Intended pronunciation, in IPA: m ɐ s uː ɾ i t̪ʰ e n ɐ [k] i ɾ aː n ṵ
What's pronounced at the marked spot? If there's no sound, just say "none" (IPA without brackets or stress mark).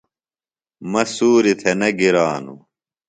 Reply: ɡ